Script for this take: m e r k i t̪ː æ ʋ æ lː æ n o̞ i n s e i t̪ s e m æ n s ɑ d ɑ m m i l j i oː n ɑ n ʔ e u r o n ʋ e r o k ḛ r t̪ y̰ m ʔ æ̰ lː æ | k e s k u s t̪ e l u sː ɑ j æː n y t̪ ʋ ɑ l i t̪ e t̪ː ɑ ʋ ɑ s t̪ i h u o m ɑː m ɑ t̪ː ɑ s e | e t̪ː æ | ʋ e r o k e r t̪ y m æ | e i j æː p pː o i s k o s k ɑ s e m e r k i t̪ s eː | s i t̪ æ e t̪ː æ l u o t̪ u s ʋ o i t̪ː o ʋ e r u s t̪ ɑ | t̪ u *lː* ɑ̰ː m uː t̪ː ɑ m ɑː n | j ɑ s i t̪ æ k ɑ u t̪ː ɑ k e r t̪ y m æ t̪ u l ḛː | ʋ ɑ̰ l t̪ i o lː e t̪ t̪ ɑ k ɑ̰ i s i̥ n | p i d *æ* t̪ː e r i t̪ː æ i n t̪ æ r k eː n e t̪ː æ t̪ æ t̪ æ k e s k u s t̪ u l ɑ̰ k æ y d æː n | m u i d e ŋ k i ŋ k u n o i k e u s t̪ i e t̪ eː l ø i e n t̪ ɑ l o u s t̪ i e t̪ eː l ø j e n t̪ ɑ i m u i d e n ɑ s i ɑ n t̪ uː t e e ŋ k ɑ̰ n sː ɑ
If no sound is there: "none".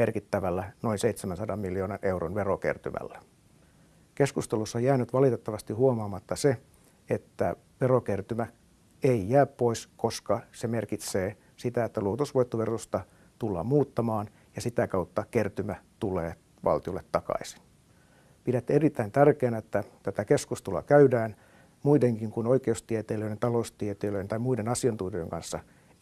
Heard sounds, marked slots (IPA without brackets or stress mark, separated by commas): lː, æ